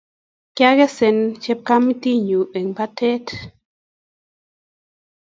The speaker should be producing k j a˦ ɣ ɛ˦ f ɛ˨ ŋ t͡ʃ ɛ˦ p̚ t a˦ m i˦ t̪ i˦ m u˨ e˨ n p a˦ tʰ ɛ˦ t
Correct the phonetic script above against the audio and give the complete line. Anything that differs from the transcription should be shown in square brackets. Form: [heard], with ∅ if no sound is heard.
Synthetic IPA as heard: k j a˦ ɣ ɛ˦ [s] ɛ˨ [n] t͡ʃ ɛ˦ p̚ [k] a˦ m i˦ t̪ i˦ [ɲ] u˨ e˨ [ŋ] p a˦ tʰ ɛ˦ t